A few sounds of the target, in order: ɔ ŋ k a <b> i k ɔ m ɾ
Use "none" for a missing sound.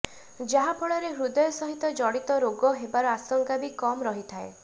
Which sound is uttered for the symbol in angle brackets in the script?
b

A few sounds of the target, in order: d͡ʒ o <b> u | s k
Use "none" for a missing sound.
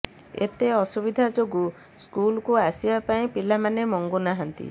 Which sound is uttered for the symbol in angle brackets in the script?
ɡ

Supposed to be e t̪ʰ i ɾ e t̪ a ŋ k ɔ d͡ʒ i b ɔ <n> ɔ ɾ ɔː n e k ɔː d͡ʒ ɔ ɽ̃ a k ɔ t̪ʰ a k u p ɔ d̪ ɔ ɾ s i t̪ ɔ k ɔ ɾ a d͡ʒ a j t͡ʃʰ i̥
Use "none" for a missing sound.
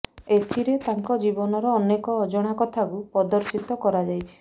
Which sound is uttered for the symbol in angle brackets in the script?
n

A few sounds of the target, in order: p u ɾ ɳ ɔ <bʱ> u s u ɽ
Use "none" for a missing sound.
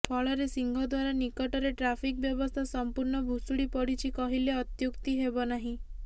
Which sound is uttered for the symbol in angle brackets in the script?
bʱ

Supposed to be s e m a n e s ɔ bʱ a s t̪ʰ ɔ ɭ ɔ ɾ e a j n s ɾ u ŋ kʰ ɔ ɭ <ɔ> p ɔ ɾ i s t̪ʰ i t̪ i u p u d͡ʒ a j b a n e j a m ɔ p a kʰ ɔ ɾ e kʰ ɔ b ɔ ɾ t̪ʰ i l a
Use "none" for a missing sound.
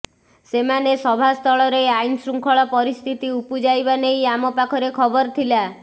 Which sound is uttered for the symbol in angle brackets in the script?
ɔ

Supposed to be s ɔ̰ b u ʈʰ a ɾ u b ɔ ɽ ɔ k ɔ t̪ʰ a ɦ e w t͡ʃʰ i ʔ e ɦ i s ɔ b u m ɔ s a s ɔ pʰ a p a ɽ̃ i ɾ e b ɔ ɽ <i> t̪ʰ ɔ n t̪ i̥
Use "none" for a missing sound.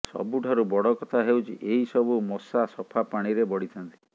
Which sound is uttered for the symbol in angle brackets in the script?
i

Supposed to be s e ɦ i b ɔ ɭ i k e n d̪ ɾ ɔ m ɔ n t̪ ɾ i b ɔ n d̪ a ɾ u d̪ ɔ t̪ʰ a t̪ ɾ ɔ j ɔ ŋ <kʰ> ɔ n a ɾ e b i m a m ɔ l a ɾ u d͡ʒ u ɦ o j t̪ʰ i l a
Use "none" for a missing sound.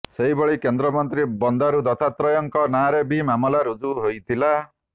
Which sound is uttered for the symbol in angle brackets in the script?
k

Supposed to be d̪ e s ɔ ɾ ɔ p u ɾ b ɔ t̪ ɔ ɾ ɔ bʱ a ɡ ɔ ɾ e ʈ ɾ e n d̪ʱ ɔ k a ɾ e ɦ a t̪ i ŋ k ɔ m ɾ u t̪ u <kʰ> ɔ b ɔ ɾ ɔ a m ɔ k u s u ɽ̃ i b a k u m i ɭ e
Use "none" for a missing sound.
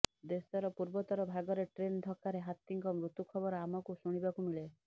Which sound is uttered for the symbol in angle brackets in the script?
kʰ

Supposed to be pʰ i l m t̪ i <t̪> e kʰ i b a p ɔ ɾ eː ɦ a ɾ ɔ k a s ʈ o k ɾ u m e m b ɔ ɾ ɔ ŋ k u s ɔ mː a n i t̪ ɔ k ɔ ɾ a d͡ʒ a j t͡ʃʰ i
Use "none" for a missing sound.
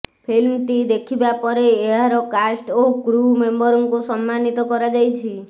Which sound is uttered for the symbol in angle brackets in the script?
d̪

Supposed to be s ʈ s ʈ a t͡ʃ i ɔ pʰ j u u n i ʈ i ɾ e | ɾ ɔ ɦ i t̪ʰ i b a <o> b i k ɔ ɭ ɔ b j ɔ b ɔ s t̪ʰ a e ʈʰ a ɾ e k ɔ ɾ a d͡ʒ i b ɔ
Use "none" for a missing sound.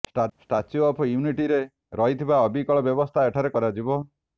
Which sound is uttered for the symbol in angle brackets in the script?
ɔ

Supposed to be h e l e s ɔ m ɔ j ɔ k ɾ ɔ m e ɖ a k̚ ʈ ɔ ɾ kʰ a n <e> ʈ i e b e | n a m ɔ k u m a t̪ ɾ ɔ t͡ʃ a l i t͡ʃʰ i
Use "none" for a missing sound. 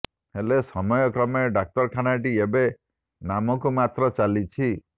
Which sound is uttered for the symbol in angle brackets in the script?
a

